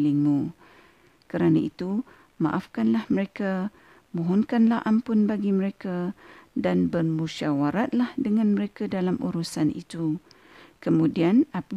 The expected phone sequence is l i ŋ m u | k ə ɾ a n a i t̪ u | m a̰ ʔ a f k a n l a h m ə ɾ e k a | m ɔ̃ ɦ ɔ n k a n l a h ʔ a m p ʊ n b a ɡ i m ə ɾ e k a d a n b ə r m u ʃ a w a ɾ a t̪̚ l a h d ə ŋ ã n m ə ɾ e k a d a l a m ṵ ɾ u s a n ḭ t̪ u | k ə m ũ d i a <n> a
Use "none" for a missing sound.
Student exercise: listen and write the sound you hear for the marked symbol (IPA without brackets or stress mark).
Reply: n